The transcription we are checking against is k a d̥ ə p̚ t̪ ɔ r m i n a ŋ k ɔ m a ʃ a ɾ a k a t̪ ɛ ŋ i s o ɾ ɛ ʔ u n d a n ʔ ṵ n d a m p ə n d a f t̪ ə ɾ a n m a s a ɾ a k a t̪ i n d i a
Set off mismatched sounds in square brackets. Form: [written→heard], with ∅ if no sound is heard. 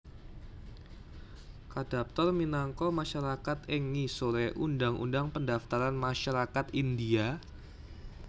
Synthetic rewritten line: k a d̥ [ə→a] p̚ t̪ ɔ r m i n a ŋ k ɔ m a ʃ a ɾ a k a t̪ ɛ ŋ i s o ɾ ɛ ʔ u n d a [n→ŋ] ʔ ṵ n d a [m→ŋ] p ə n d a f t̪ [ə→a] ɾ a n m a [s→ʃ] a ɾ a k a t̪ i n d i a